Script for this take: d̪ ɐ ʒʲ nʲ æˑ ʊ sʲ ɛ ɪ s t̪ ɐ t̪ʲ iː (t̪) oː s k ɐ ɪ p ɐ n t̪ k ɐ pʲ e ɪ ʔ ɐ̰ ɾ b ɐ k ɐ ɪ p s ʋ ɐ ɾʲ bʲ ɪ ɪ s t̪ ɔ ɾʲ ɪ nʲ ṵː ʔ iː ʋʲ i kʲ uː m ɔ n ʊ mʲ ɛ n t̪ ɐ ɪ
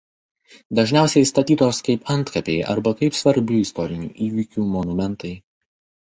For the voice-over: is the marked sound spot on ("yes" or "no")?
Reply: yes